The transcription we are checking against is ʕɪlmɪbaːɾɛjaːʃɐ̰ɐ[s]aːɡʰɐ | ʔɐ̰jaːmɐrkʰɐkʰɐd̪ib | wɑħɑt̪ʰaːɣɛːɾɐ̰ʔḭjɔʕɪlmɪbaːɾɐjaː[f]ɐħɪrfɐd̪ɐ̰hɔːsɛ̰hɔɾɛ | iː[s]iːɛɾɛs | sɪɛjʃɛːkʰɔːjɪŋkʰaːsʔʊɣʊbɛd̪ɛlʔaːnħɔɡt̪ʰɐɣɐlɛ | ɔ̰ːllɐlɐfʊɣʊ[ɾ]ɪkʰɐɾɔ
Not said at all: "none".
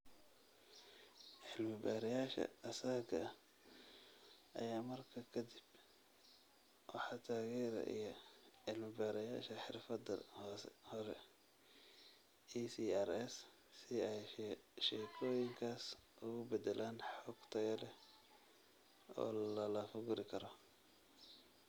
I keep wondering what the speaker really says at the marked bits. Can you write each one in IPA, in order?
s, ʃ, s, ɾ

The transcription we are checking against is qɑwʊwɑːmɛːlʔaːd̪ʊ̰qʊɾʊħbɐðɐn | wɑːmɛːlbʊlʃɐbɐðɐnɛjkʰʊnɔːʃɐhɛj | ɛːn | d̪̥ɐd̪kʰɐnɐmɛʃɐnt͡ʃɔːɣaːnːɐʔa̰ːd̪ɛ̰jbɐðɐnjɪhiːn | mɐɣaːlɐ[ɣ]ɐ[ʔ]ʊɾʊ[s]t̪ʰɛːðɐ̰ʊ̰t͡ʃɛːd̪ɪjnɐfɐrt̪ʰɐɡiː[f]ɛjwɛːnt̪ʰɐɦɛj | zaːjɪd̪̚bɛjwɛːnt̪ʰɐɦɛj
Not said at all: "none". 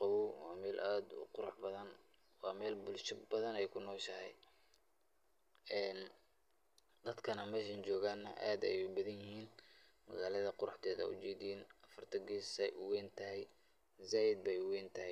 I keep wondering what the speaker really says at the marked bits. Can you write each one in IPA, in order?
ð, q, ħ, s

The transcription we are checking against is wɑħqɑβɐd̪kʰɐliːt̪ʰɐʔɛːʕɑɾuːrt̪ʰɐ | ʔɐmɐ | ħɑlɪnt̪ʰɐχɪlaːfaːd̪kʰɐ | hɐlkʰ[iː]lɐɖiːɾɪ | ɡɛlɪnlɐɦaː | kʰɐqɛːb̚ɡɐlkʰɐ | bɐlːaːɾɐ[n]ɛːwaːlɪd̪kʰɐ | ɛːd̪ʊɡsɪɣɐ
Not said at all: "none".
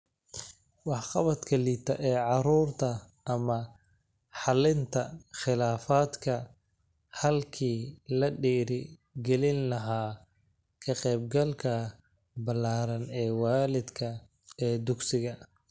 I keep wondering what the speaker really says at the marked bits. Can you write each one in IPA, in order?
iː, n

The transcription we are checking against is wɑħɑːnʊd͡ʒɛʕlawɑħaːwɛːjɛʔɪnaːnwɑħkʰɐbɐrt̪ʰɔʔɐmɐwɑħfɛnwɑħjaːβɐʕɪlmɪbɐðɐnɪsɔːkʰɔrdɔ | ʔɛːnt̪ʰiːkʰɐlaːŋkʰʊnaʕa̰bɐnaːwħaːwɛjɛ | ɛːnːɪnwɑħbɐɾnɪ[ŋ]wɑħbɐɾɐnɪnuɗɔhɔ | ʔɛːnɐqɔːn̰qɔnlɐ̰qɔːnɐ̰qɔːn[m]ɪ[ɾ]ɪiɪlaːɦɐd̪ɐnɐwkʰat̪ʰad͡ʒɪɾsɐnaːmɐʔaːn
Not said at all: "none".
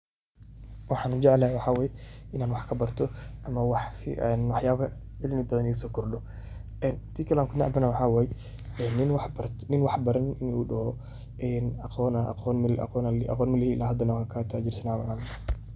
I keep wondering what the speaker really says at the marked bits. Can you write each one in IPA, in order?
n, m, l

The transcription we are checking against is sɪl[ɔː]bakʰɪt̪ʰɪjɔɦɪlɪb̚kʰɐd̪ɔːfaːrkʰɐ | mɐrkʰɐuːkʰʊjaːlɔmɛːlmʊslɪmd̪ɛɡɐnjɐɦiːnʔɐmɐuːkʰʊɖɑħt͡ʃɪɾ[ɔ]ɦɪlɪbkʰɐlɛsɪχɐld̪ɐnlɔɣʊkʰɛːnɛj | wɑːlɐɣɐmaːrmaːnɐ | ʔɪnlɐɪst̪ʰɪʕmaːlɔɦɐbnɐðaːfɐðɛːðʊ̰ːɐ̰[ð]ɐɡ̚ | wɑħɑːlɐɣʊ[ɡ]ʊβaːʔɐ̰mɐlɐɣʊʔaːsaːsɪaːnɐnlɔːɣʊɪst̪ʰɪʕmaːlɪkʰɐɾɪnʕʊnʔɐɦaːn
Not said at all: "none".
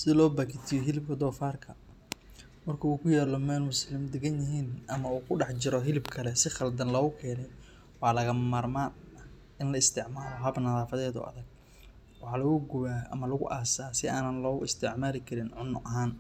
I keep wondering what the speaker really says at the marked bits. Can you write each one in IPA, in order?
ɔː, ɔ, ð, ɡ

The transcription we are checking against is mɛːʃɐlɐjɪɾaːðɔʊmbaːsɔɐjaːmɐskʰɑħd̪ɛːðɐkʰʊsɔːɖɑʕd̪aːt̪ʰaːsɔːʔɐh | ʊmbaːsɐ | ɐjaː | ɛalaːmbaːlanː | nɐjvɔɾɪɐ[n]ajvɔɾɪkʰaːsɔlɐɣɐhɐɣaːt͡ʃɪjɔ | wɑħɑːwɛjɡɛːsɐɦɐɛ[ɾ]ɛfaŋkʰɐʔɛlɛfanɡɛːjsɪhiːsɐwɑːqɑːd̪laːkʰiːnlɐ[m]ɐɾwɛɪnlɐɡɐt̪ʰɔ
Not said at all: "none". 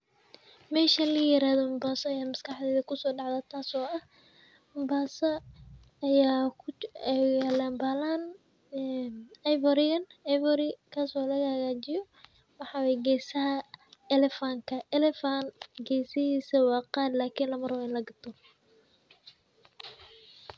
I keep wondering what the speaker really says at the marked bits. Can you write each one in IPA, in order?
n, l, m

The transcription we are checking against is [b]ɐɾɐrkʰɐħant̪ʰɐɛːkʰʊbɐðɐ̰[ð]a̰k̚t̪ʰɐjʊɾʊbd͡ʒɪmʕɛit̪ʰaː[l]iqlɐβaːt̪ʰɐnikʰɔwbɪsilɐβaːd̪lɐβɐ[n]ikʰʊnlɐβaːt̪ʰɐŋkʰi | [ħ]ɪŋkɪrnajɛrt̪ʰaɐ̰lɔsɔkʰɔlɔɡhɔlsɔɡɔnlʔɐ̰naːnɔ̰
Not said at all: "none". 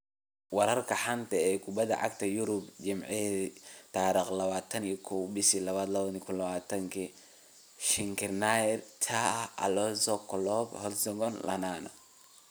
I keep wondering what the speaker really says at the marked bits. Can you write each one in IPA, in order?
w, ʕ, ɾ, n, ʃ

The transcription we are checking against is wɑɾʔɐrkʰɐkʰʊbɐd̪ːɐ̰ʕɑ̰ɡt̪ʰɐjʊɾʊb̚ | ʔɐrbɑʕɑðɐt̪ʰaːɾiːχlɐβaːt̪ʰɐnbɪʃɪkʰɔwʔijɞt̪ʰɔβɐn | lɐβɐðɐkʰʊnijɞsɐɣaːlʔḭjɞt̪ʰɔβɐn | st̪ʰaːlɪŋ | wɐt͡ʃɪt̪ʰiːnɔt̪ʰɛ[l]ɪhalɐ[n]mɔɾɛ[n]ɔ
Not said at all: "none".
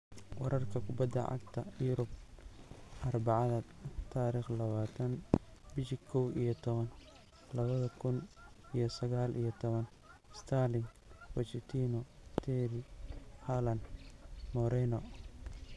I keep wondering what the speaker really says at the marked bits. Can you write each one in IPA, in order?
ɾ, n, n

